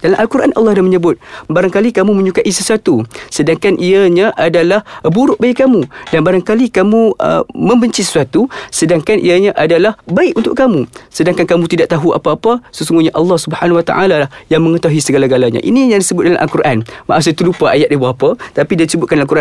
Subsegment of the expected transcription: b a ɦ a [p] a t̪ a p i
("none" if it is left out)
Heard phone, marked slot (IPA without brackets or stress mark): p